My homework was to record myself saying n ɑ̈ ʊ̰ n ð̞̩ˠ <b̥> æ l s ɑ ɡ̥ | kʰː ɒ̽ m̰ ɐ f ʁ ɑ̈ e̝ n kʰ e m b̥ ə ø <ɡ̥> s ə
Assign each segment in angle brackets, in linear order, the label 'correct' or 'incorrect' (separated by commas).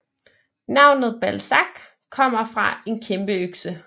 correct, correct